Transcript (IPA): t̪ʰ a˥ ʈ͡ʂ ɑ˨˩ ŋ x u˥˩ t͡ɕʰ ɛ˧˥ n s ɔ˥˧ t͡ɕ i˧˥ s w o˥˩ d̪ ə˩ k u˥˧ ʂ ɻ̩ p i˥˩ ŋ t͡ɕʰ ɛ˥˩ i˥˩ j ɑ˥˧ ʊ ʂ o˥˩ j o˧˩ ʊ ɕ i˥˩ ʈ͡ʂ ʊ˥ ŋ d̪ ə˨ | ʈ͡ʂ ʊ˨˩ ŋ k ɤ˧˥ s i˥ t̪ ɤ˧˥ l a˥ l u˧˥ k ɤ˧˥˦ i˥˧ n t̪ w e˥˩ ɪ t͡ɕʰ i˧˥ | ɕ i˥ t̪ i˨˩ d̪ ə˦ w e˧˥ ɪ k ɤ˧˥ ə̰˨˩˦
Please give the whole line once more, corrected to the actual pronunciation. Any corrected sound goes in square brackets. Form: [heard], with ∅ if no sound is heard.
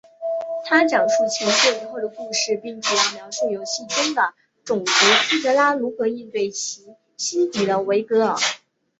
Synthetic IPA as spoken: t̪ʰ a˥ ʈ͡ʂ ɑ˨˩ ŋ [ʂ] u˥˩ t͡ɕʰ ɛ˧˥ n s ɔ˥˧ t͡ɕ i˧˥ [x] w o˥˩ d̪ ə˩ k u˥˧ ʂ ɻ̩ p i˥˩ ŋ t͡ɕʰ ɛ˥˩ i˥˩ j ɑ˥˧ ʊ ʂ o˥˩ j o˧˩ ʊ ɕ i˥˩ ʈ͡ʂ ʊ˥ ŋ d̪ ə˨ | ʈ͡ʂ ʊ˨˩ ŋ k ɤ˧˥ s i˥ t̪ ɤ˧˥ l a˥ l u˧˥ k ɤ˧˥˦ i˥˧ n t̪ w e˥˩ ɪ t͡ɕʰ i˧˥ | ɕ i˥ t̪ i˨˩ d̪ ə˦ w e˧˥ ɪ k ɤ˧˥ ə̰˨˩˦